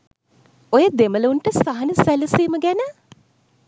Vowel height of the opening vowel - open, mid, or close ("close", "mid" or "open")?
mid